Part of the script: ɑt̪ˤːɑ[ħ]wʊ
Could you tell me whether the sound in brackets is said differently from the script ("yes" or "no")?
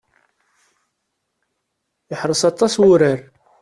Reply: yes